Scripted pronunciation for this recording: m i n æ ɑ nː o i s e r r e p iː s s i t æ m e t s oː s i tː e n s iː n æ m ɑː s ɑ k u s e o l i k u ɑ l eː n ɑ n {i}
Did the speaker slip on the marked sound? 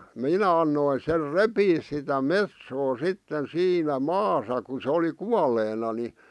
no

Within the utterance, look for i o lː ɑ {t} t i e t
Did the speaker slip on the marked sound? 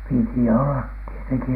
no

